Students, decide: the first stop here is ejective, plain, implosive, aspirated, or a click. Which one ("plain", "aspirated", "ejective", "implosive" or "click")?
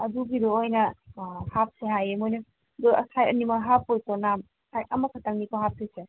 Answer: plain